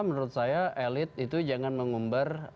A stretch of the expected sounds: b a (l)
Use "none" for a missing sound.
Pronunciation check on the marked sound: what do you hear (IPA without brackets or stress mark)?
r